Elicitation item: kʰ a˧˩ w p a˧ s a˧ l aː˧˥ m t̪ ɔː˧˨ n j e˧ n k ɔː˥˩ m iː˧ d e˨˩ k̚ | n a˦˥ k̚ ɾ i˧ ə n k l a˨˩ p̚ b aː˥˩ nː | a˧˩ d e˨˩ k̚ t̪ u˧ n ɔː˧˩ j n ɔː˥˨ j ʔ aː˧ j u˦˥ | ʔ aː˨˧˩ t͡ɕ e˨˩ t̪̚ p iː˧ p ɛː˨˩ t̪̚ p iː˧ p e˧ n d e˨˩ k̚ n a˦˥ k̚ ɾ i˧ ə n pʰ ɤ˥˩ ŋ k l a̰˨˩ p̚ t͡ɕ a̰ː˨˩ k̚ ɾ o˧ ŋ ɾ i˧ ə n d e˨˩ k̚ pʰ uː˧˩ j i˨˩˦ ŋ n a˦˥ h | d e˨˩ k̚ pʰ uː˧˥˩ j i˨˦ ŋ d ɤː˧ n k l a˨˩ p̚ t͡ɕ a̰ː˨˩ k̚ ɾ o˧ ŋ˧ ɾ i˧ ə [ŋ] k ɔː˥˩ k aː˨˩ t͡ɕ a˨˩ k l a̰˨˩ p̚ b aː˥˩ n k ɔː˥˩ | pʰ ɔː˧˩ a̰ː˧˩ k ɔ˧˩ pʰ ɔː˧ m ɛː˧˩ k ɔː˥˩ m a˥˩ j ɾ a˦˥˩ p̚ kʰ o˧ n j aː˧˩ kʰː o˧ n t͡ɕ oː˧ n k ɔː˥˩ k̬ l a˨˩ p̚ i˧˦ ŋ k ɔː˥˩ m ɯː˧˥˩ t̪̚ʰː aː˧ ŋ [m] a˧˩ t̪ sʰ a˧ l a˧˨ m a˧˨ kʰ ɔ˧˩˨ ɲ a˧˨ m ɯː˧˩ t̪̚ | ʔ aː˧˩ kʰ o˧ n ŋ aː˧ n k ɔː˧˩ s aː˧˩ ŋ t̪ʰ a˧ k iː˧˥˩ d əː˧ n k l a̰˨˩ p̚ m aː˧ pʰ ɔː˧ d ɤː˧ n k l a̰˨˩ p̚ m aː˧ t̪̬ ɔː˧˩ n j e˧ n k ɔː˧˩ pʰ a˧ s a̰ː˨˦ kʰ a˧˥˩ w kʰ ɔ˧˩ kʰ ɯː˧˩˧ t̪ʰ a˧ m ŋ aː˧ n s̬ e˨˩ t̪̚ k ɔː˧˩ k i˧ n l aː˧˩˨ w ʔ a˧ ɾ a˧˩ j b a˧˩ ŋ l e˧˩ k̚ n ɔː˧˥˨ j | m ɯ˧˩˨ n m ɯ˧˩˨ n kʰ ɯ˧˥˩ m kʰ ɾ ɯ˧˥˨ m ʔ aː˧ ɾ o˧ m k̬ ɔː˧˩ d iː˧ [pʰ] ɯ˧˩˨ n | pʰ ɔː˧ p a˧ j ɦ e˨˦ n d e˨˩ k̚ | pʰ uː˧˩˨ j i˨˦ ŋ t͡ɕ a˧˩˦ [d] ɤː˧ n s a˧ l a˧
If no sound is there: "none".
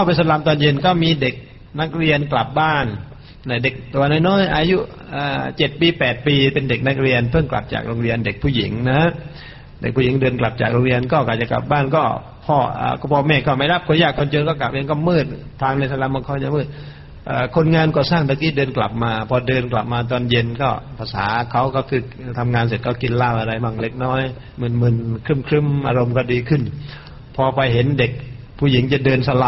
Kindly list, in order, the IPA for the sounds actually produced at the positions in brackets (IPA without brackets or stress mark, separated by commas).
n, n, kʰ, d